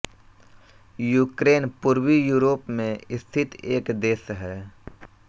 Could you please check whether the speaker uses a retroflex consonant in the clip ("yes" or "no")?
no